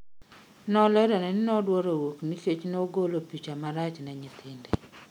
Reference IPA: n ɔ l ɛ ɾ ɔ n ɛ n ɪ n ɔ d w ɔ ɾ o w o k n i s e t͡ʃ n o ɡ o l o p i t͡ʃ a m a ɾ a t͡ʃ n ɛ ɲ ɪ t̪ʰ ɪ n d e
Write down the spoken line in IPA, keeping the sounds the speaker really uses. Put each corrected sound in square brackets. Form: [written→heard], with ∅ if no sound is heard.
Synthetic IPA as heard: n ɔ l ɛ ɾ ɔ n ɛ n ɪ n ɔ d w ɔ ɾ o w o k n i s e t͡ʃ n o ɡ o l o p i t͡ʃ a m a ɾ a t͡ʃ n ɛ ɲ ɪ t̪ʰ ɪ n d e